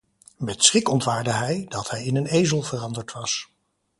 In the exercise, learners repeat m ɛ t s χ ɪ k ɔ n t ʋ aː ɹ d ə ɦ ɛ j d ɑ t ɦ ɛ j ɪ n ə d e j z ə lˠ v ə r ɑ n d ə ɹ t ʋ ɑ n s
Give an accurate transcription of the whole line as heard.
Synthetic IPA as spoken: m ɛ t s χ ɪ k ɔ n t ʋ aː ɹ d ə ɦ ɛ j d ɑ t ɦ ɛ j ɪ n ə n e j z ə lˠ v ə r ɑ n d ə ɹ t ʋ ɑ s